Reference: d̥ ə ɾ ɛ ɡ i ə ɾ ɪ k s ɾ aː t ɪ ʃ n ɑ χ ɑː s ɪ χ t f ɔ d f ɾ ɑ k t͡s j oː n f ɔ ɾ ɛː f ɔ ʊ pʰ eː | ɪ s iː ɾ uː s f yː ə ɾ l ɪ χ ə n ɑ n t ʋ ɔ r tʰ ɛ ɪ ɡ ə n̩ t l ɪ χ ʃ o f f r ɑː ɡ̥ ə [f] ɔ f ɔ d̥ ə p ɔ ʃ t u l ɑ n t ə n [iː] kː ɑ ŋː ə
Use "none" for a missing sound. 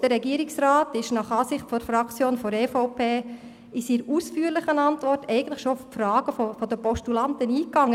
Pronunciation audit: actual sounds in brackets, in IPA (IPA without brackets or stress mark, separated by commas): f, iː